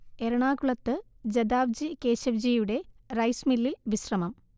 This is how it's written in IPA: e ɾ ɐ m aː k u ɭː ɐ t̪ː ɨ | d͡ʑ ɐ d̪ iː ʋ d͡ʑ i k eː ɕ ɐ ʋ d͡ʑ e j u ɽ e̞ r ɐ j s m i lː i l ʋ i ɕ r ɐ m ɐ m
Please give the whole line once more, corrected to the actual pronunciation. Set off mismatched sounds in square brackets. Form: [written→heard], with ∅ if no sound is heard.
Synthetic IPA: e ɾ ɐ [m→ɳ] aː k u [ɭː→ɭ] ɐ t̪ː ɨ | d͡ʑ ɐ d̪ [iː→aː] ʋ d͡ʑ i k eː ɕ ɐ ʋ d͡ʑ [e→i] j u ɽ e̞ r ɐ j s m i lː i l ʋ i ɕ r ɐ m ɐ m

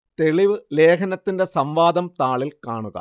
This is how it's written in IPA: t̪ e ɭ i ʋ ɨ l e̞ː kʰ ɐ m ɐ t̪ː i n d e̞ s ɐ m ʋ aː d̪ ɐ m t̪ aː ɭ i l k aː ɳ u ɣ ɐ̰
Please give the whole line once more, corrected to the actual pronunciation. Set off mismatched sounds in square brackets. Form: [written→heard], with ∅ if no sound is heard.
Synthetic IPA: t̪ e ɭ i ʋ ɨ l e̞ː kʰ ɐ [m→n] ɐ t̪ː i n d e̞ s ɐ m ʋ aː d̪ ɐ m t̪ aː ɭ i l k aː ɳ u ɣ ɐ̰

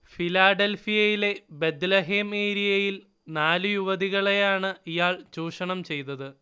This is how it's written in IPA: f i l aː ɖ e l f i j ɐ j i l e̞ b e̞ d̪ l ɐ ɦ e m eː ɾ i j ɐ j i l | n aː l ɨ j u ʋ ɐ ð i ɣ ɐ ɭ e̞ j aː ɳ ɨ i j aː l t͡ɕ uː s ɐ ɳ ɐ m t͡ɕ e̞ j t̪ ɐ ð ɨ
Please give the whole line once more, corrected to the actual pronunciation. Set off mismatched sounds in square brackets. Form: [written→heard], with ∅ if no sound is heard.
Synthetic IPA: f i l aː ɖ e l f i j ɐ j i l e̞ b e̞ d̪ l ɐ ɦ e m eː ɾ i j ɐ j i l | n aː l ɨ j u ʋ ɐ ð i ɣ ɐ ɭ e̞ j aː ɳ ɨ i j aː [l→ɭ] t͡ɕ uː [s→ʂ] ɐ ɳ ɐ m t͡ɕ e̞ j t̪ ɐ ð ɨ

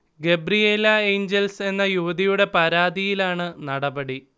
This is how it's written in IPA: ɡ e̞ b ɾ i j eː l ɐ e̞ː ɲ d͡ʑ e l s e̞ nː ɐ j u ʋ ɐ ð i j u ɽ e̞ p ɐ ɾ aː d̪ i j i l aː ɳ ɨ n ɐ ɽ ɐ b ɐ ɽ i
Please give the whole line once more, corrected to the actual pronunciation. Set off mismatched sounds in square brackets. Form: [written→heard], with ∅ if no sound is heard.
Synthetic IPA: ɡ e̞ b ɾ i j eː l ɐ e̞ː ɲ d͡ʑ e l s e̞ nː ɐ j u ʋ ɐ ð i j u ɽ e̞ p ɐ ɾ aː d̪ i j i l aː ɳ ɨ n ɐ ɽ ɐ b ɐ ɽ i

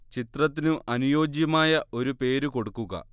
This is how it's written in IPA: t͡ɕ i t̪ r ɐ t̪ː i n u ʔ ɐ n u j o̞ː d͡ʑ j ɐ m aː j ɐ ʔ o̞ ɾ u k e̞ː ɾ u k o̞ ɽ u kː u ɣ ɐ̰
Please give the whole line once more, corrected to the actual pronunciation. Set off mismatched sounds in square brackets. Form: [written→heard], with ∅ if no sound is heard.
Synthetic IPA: t͡ɕ i t̪ r ɐ t̪ː i n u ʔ ɐ n u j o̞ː d͡ʑ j ɐ m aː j ɐ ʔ o̞ ɾ u [k→p] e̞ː ɾ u k o̞ ɽ u kː u ɣ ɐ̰

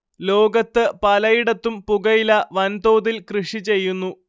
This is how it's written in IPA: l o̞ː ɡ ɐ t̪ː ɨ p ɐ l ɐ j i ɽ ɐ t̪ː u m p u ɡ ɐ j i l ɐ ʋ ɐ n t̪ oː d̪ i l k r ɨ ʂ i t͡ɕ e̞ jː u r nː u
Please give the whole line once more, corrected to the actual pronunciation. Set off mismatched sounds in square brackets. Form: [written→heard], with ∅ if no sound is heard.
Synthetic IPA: l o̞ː ɡ ɐ t̪ː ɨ p ɐ l ɐ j i ɽ ɐ t̪ː u m p u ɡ ɐ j i l ɐ ʋ ɐ n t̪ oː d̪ i l k r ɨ ʂ i t͡ɕ e̞ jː u [r→∅] nː u

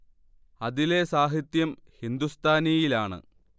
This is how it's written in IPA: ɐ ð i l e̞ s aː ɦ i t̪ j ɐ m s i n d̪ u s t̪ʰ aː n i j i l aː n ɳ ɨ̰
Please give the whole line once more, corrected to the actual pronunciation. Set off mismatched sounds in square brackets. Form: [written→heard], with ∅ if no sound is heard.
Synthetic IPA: ɐ ð i l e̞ s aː ɦ i t̪ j ɐ m [s→h] i n d̪ u s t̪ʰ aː n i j i l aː [n→∅] ɳ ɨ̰

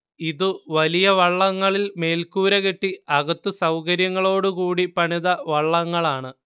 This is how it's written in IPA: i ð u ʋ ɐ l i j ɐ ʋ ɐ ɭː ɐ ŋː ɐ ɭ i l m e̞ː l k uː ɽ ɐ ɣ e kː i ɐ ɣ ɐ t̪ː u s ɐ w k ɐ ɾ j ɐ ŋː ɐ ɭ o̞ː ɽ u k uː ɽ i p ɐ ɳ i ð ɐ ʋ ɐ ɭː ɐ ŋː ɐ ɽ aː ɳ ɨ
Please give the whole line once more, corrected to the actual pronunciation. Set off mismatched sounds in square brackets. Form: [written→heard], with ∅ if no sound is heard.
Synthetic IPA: i ð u ʋ ɐ l i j ɐ ʋ ɐ ɭː ɐ ŋː ɐ ɭ i l m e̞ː l k uː [ɽ→ɾ] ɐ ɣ e [kː→ʈː] i ɐ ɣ ɐ t̪ː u s ɐ w k ɐ ɾ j ɐ ŋː ɐ ɭ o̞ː ɽ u k uː ɽ i p ɐ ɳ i ð ɐ ʋ ɐ ɭː ɐ ŋː ɐ [ɽ→ɭ] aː ɳ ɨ

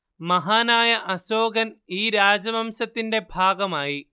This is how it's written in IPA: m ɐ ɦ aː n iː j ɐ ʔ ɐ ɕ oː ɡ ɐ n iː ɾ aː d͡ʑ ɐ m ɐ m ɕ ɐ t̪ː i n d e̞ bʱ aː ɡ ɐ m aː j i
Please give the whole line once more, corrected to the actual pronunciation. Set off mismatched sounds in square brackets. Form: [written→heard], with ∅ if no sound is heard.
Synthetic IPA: m ɐ ɦ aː n [iː→aː] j ɐ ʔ ɐ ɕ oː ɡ ɐ n iː ɾ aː d͡ʑ ɐ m ɐ m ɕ ɐ t̪ː i n d e̞ bʱ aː ɡ ɐ m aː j i

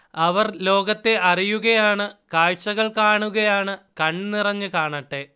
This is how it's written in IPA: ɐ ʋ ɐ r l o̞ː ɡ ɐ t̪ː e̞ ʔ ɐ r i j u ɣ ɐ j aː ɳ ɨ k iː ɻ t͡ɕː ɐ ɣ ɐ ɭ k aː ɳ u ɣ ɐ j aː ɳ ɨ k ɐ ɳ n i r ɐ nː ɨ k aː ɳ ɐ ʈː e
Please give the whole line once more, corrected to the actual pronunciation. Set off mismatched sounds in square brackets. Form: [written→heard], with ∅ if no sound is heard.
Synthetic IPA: ɐ ʋ ɐ r l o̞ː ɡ ɐ t̪ː e̞ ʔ ɐ r i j u ɣ ɐ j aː ɳ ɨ k [iː→aː] ɻ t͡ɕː ɐ ɣ ɐ ɭ k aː ɳ u ɣ ɐ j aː ɳ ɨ k ɐ ɳ n i r ɐ [nː→ɲː] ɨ k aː ɳ ɐ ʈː e

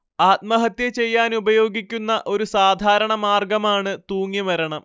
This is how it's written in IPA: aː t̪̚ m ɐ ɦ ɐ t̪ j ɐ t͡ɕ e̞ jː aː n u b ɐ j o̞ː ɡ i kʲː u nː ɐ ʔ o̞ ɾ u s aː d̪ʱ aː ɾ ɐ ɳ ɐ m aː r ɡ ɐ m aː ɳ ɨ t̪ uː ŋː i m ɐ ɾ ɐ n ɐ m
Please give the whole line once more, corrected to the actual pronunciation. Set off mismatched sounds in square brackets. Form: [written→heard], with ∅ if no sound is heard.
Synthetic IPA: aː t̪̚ m ɐ ɦ ɐ t̪ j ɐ t͡ɕ e̞ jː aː n u b ɐ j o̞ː ɡ i kʲː u nː ɐ ʔ o̞ ɾ u s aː d̪ʱ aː ɾ ɐ ɳ ɐ m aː r ɡ ɐ m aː ɳ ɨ t̪ uː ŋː i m ɐ ɾ ɐ [n→ɳ] ɐ m

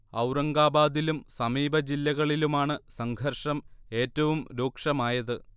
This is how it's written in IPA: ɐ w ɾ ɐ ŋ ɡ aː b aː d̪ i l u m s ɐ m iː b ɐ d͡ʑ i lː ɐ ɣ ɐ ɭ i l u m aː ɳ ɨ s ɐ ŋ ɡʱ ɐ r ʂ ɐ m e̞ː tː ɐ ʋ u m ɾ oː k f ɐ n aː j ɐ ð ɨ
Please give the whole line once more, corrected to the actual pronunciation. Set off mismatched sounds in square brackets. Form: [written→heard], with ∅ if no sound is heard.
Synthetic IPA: ɐ w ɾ ɐ ŋ ɡ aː b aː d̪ i l u m s ɐ m iː b ɐ d͡ʑ i lː ɐ ɣ ɐ ɭ i l u m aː ɳ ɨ s ɐ ŋ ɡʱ ɐ r ʂ ɐ m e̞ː tː ɐ ʋ u m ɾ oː k [f→ʂ] ɐ [n→m] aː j ɐ ð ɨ

